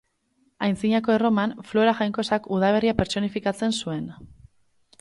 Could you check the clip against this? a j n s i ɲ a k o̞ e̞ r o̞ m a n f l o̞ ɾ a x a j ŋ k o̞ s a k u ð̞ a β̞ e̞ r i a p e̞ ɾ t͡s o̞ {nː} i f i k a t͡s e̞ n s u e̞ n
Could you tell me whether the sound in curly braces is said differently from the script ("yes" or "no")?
yes